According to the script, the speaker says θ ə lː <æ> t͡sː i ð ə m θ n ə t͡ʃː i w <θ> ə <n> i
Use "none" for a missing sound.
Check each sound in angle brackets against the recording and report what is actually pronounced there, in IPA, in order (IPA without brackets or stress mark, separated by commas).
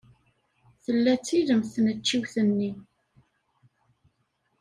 æ, θ, nː